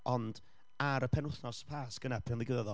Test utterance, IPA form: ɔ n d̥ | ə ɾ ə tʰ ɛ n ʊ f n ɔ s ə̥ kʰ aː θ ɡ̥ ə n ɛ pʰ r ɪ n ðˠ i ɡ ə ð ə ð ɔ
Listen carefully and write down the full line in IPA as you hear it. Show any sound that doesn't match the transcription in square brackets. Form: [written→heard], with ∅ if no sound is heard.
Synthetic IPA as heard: ɔ n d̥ | [ə→a] ɾ ə [tʰ→pʰ] ɛ n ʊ [f→θ] n ɔ s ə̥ [kʰ→pʰ] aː [θ→s] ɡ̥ ə n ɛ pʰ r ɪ n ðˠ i ɡ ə ð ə ð ɔ